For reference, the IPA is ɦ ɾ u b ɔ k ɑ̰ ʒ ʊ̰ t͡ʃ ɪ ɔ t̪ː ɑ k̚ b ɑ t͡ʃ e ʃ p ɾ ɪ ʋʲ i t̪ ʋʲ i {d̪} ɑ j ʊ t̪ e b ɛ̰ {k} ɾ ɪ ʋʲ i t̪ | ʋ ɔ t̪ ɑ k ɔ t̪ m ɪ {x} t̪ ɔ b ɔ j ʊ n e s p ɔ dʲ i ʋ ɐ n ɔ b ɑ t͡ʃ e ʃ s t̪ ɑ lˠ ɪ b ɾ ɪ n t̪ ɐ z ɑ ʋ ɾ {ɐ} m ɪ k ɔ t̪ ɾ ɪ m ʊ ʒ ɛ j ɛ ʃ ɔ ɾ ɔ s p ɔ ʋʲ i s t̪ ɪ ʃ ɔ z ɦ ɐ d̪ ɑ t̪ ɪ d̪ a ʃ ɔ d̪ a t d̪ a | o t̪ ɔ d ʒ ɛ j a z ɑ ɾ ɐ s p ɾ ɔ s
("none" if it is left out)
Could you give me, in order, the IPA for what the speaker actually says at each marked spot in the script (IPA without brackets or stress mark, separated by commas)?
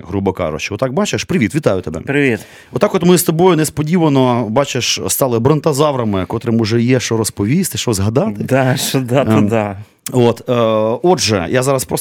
t̪, p, s, ɐ